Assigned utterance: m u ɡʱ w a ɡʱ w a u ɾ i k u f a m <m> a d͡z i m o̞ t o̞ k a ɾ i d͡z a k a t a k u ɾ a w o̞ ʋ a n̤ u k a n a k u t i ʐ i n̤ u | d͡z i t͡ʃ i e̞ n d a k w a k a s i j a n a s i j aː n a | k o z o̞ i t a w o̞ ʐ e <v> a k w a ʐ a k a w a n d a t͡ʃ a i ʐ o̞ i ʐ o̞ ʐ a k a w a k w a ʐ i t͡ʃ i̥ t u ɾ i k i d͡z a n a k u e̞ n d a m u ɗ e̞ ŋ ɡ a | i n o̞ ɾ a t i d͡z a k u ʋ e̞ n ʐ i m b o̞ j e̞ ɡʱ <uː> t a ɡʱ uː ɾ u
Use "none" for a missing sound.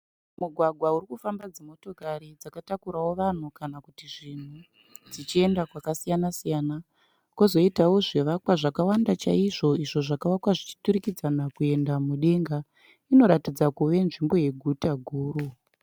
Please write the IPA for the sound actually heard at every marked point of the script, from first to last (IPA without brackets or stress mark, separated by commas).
b, ʋ, u